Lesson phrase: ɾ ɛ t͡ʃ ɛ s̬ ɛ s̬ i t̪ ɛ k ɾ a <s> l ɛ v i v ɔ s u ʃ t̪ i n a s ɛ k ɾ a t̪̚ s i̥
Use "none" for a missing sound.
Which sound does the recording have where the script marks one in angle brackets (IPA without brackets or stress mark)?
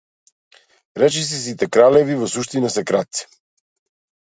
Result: none